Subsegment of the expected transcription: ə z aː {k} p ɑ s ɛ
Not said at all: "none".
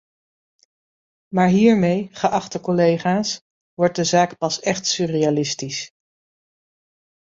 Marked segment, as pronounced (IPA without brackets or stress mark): k